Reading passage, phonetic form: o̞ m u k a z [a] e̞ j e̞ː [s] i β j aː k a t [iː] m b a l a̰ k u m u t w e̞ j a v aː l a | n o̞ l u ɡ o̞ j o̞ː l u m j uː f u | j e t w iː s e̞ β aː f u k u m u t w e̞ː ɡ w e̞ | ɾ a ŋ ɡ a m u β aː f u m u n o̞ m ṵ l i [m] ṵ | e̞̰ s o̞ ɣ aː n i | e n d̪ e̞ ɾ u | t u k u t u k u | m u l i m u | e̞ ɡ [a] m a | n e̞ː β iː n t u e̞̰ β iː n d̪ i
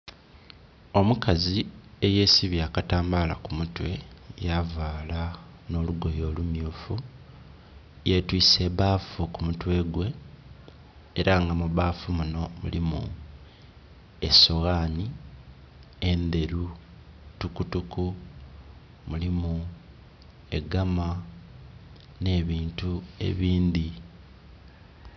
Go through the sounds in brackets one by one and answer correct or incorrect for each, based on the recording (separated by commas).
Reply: incorrect, correct, incorrect, correct, correct